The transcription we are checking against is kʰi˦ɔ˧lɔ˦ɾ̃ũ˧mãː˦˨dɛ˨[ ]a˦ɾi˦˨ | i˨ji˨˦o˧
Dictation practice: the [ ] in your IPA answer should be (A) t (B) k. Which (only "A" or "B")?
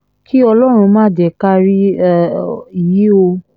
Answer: B